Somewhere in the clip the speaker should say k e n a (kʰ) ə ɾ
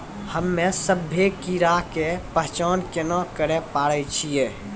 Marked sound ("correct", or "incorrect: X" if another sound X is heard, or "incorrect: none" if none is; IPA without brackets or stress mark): incorrect: k